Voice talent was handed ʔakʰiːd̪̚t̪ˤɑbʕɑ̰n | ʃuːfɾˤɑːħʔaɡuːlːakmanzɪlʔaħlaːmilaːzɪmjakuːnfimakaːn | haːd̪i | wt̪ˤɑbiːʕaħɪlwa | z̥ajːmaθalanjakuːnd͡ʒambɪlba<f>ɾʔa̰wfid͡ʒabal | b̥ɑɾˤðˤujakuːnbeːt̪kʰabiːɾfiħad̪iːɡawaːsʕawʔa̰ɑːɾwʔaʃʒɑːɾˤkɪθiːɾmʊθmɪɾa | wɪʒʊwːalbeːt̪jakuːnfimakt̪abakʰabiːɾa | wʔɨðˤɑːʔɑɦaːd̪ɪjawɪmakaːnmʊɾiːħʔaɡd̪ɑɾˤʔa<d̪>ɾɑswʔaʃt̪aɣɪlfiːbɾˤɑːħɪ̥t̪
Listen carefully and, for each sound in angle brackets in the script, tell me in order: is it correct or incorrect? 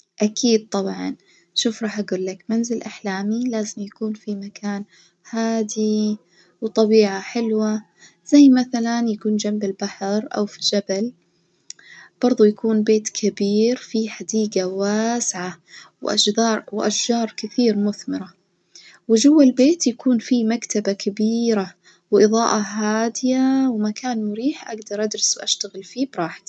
incorrect, correct

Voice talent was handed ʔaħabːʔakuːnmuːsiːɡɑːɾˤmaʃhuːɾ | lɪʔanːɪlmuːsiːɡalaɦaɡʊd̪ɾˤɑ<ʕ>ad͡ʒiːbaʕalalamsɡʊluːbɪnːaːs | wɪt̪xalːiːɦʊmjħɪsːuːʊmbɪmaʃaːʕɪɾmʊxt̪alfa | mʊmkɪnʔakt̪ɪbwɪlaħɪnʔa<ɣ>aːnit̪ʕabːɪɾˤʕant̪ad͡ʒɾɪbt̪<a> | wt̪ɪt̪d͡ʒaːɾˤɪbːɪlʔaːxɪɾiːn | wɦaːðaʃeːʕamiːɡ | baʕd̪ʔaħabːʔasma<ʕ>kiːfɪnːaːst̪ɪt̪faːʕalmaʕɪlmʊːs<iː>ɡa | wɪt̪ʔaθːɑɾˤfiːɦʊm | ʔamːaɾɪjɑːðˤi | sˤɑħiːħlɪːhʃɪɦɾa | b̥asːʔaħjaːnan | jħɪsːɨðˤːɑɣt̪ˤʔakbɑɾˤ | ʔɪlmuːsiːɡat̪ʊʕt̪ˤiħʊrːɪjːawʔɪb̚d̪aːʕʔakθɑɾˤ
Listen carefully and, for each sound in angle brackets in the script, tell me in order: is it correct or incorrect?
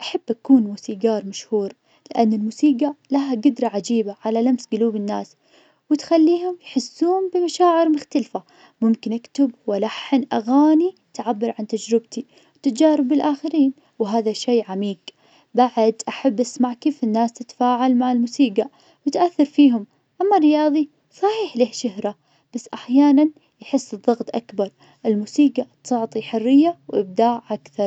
correct, correct, incorrect, correct, correct

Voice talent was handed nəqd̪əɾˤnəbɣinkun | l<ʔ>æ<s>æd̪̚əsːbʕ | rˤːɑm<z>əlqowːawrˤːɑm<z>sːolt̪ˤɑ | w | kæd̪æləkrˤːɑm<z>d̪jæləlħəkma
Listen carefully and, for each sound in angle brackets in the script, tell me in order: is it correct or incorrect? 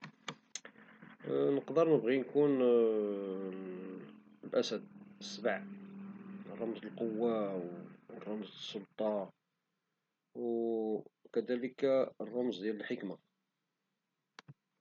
correct, correct, correct, correct, correct

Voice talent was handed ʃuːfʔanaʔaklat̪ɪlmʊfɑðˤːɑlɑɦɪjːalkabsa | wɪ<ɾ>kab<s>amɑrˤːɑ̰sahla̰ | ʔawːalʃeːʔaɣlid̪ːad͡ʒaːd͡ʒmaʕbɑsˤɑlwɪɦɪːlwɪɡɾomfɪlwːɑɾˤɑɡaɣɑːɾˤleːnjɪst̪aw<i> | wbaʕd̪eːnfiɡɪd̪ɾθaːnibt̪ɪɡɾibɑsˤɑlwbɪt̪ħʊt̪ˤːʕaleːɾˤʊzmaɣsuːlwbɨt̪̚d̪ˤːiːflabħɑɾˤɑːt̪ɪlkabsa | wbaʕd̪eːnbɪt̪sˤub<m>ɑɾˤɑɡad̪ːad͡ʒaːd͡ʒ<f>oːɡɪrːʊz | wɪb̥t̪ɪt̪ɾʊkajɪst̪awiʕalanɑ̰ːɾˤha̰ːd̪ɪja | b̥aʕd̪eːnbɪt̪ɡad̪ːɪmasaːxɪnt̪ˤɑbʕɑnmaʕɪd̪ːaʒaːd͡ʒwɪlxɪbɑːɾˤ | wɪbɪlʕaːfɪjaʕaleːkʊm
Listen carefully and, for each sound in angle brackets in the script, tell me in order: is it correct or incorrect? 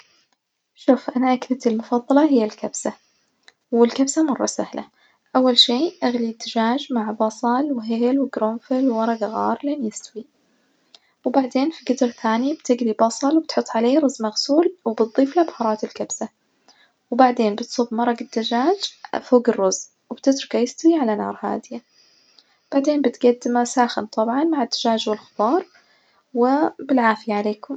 incorrect, correct, correct, correct, correct

